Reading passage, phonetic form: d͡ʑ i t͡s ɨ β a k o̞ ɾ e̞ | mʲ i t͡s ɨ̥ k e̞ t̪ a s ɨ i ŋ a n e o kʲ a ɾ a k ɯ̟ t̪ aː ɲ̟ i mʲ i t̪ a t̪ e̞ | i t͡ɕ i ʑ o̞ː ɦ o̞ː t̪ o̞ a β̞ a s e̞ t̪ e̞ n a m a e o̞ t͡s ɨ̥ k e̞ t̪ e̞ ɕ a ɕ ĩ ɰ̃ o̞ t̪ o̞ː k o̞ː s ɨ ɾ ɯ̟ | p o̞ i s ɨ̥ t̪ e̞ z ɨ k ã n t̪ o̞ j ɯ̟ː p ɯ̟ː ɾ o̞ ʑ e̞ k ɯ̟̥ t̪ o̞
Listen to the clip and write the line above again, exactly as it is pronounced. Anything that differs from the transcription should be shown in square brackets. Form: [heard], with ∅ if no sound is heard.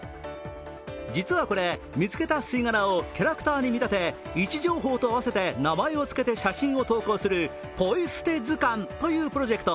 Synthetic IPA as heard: d͡ʑ i t͡s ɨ β a k o̞ ɾ e̞ | mʲ i t͡s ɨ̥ k e̞ t̪ a s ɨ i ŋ a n [a] o kʲ a ɾ a k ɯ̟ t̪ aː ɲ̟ i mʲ i t̪ a t̪ e̞ | i t͡ɕ i ʑ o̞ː ɦ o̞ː t̪ o̞ a β̞ a s e̞ t̪ e̞ n a m a e o̞ t͡s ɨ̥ k e̞ t̪ e̞ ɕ a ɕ ĩ ɰ̃ o̞ t̪ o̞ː k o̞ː s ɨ ɾ ɯ̟ | p o̞ i s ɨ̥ t̪ e̞ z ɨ k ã n t̪ o̞ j ɯ̟ː p [ɯ̟] ɾ o̞ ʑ e̞ k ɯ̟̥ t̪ o̞